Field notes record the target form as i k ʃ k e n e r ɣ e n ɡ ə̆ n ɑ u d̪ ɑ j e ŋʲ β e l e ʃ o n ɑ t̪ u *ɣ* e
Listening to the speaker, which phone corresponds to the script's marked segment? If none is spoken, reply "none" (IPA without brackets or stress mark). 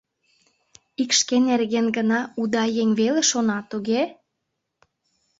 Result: ɣ